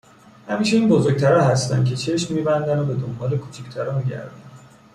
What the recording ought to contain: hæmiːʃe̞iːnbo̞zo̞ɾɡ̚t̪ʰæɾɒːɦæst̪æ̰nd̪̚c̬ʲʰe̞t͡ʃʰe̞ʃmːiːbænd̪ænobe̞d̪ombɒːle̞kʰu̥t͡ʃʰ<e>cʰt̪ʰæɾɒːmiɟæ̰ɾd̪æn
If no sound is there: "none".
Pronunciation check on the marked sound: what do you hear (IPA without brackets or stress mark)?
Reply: i